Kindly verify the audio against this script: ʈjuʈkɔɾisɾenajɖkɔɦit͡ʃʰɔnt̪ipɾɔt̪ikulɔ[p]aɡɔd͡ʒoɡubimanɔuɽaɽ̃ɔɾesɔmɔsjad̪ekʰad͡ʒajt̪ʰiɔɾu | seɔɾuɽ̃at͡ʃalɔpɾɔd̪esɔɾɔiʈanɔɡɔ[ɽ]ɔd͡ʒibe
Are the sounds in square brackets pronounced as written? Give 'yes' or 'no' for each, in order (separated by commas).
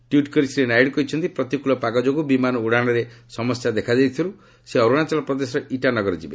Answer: yes, no